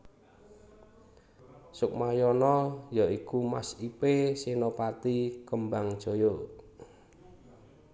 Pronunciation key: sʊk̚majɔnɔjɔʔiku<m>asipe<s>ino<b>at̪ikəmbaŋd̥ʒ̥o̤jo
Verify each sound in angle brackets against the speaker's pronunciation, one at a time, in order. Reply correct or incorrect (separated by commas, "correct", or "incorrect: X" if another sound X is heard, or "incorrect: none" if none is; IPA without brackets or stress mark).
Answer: correct, correct, incorrect: p